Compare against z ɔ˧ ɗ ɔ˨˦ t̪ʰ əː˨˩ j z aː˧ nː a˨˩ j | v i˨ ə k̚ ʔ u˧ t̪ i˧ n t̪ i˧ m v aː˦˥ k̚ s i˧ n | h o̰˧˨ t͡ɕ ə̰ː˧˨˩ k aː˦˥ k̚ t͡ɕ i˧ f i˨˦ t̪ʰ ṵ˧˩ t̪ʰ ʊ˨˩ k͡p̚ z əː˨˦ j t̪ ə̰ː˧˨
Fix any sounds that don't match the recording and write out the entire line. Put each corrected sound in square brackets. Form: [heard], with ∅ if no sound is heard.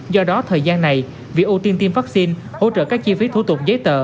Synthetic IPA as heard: z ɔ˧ ɗ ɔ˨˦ t̪ʰ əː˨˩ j z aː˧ nː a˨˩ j | v i˨ ə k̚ ʔ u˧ t̪ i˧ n t̪ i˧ m v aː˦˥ k̚ s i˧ n | h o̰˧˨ t͡ɕ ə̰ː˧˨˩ k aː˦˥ k̚ t͡ɕ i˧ f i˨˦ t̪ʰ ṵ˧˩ [t̪] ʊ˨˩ k͡p̚ z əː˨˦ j t̪ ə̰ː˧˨